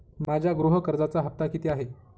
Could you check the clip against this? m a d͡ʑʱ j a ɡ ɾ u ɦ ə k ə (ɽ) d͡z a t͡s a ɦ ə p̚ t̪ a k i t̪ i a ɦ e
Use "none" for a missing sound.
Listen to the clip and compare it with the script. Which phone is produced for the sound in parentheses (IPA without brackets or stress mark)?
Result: ɾ